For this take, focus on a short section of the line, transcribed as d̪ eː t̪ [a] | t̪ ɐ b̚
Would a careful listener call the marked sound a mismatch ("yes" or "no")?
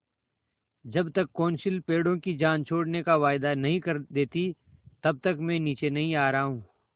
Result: yes